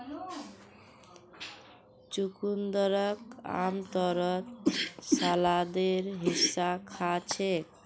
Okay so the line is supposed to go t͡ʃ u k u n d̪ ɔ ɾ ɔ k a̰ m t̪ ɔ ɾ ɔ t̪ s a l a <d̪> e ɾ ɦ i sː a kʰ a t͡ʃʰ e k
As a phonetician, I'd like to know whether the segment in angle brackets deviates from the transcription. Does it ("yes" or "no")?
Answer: no